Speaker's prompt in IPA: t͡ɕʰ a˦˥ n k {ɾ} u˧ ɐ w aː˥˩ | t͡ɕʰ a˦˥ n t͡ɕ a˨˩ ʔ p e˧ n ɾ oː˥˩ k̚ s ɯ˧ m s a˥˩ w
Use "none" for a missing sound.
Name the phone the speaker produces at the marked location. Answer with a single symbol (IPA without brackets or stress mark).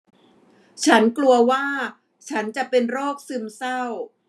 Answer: l